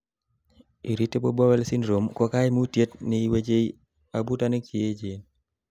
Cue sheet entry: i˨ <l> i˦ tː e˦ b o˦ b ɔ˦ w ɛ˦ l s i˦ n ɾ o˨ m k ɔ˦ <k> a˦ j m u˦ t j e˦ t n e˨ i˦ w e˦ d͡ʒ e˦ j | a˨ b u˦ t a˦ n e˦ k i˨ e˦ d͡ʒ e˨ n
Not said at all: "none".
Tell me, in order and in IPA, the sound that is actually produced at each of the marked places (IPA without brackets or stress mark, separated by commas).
ɾ, k